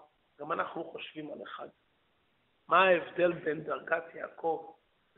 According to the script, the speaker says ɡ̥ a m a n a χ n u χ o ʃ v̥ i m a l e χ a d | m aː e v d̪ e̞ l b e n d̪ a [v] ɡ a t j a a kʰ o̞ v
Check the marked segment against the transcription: incorrect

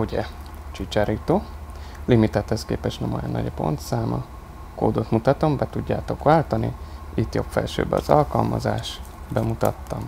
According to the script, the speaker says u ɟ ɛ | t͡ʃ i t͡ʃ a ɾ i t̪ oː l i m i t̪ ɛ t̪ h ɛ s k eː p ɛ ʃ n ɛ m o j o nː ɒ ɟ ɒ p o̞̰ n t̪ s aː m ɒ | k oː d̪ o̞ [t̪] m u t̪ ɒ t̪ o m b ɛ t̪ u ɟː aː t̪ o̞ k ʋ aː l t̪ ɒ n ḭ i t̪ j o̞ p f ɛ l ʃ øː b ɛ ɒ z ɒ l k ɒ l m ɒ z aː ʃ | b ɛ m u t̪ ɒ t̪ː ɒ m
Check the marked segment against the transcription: correct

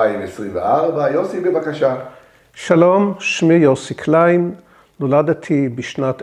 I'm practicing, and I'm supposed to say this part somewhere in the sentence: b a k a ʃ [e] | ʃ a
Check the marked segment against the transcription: incorrect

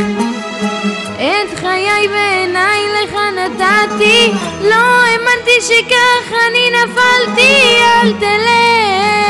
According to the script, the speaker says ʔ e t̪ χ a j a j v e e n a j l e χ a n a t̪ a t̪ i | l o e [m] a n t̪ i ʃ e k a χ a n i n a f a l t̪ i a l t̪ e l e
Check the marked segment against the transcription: correct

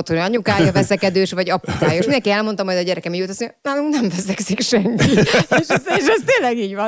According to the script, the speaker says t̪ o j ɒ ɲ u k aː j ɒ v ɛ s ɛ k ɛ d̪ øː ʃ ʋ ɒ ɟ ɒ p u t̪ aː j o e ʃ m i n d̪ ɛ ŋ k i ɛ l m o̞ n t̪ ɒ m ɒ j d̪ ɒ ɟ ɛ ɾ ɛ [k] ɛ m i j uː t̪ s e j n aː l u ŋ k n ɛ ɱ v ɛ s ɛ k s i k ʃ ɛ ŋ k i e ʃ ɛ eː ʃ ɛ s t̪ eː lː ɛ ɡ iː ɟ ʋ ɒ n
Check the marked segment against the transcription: correct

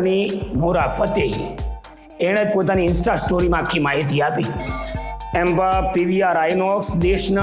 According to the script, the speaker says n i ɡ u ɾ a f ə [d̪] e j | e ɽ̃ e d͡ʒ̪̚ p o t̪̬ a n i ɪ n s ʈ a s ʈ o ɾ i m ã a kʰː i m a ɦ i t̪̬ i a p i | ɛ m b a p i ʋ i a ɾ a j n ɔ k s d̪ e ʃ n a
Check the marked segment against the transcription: incorrect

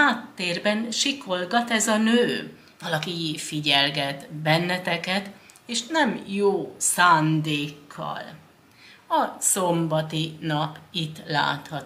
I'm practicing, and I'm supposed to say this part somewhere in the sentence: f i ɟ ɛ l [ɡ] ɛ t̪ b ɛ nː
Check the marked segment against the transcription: correct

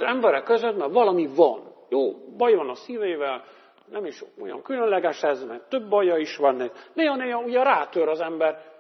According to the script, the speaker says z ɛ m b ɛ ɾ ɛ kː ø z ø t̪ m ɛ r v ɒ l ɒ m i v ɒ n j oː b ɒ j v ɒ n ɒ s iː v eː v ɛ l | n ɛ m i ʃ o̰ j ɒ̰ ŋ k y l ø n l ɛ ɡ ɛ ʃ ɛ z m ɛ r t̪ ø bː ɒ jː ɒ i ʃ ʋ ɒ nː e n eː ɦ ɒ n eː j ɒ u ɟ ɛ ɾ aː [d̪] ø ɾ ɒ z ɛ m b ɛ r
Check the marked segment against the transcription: incorrect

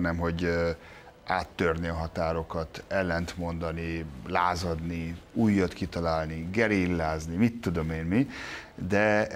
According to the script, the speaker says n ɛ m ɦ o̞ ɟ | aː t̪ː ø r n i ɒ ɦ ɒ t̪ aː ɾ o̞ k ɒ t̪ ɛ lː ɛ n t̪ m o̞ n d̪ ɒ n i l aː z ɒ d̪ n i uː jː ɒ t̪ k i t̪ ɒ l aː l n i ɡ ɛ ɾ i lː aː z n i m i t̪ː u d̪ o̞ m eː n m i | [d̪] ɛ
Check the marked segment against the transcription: correct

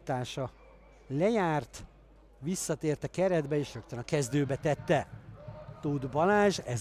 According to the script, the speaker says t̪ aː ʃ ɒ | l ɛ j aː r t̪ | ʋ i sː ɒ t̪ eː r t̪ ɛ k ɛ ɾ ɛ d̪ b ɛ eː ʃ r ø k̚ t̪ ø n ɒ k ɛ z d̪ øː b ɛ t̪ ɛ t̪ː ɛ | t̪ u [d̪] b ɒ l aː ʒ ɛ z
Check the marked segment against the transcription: correct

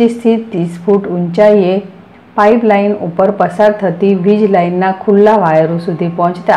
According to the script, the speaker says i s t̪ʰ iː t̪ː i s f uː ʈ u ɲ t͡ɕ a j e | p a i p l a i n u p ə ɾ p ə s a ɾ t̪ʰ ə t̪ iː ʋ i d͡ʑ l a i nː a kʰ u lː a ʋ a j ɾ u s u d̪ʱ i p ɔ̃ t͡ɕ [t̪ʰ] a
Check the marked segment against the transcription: incorrect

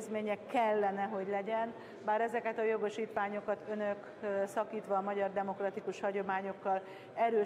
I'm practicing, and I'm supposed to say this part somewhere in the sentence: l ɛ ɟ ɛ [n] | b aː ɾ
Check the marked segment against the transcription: correct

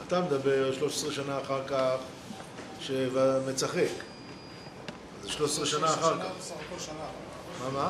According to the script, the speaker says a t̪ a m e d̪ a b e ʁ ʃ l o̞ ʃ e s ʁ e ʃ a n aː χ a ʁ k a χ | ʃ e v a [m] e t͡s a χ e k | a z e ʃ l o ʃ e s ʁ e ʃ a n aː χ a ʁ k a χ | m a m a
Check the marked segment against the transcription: correct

